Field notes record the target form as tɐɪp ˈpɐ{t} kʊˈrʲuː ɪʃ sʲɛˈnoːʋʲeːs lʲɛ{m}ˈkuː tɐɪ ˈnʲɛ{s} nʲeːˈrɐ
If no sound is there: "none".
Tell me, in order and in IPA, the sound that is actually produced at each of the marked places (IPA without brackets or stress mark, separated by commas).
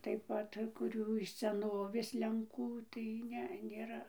t, ŋ, none